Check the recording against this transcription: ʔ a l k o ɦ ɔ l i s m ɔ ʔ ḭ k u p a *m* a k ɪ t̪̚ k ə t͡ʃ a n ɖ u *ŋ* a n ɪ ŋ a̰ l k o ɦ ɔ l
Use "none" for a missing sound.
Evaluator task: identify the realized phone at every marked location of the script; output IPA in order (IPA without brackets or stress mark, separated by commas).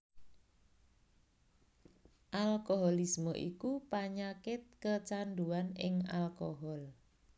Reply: ɲ, none